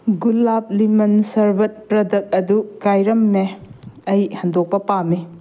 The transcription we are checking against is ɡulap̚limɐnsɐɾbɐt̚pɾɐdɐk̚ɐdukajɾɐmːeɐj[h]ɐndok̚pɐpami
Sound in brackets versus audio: correct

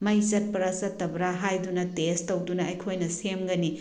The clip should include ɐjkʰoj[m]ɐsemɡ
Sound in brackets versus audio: incorrect: n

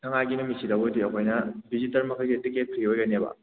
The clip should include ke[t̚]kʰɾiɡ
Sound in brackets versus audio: correct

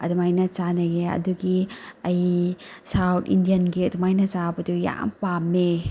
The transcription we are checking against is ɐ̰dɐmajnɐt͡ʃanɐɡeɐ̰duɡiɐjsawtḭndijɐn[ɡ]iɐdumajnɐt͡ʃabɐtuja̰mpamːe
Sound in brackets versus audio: correct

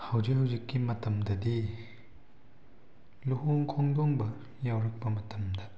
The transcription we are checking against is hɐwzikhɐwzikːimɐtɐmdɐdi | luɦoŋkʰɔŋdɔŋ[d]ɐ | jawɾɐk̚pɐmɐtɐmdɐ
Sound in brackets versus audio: incorrect: b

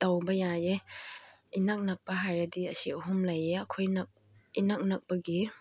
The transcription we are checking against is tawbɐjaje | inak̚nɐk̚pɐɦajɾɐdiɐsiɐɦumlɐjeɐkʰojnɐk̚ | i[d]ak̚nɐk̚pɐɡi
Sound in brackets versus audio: incorrect: n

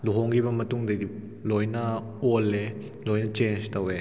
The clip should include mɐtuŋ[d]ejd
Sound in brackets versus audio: correct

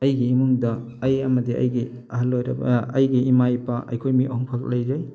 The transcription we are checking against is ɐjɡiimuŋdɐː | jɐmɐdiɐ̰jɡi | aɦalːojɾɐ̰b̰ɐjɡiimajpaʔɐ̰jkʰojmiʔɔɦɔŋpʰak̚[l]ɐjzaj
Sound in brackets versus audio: correct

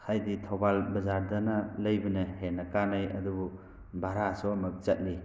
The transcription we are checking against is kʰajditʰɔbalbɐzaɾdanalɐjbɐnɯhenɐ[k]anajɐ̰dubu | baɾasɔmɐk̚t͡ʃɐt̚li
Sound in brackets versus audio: correct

